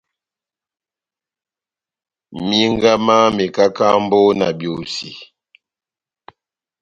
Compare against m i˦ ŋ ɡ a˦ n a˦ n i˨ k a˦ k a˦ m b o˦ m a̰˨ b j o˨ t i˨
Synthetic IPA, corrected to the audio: m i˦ ŋ ɡ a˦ m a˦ m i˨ k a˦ k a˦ m b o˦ n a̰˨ b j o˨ s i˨